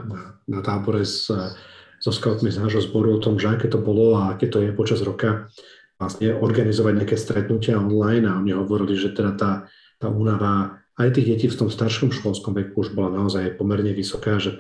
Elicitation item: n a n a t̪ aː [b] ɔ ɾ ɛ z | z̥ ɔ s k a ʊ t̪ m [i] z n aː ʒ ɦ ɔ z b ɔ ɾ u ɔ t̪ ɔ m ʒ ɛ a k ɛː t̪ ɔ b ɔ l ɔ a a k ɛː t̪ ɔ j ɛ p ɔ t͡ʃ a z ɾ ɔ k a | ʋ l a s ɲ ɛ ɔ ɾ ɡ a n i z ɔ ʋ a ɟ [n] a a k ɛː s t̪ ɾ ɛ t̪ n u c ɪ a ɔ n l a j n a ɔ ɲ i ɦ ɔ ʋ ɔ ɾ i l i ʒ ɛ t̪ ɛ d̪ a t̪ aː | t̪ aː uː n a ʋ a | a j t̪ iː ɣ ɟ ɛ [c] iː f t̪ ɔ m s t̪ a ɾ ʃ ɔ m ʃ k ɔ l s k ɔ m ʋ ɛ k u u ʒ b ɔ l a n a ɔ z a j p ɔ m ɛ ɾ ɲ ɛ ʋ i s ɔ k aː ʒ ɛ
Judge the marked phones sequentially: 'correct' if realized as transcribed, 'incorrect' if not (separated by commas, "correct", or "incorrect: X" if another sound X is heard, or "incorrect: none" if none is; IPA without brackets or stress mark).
correct, correct, incorrect: ɲ, correct